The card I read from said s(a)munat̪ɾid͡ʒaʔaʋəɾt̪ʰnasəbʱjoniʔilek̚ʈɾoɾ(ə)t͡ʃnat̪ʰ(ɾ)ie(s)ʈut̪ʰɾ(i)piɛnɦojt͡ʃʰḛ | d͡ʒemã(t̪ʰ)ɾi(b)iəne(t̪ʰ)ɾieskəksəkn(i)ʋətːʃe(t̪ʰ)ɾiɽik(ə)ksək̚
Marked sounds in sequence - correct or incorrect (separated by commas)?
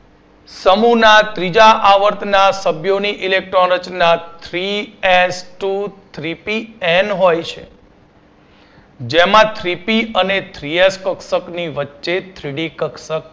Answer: incorrect, correct, correct, correct, correct, correct, incorrect, correct, correct, correct, correct